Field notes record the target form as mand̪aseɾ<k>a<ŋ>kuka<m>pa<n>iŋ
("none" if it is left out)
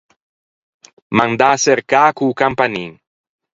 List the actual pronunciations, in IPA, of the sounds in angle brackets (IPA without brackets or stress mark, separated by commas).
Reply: k, none, m, n